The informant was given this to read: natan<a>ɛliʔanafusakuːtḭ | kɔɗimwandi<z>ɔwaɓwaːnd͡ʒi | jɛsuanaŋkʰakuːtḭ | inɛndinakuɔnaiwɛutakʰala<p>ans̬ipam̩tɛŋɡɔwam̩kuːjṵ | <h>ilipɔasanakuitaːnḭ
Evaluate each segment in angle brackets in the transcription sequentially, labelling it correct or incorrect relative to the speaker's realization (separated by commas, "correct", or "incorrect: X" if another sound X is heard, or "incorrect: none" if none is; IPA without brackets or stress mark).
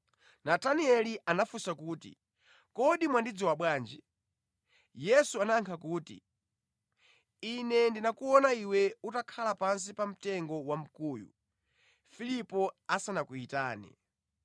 incorrect: i, incorrect: d͡z, correct, incorrect: f